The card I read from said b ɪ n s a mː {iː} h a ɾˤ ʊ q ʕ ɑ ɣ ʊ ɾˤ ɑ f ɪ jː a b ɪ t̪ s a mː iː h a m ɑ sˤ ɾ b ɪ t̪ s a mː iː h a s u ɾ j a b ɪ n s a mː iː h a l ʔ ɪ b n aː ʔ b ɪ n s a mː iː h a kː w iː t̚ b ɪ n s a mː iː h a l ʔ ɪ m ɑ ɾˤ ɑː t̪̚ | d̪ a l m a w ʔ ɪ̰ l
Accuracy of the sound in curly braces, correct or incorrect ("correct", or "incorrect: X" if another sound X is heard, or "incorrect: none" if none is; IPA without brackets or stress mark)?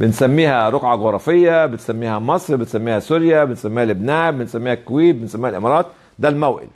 correct